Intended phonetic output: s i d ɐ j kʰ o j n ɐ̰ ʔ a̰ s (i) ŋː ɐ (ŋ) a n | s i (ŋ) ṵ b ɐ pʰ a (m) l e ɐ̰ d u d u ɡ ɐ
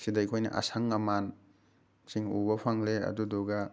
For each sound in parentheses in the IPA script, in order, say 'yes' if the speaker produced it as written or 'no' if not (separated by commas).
no, no, yes, no